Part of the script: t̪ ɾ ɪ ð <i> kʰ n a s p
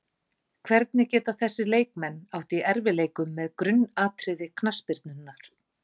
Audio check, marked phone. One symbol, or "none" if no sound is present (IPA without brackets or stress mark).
ɪ